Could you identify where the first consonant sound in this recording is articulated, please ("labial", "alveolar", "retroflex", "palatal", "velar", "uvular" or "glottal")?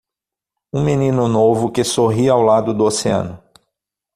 labial